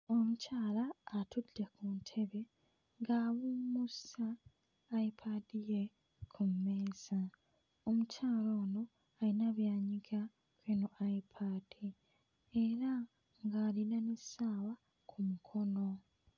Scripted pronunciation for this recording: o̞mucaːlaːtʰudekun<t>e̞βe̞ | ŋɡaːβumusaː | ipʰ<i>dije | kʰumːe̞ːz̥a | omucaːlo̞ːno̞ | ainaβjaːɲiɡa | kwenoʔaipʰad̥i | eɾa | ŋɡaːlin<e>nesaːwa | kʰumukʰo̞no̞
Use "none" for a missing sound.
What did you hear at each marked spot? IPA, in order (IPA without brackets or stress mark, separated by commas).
tʰ, a, a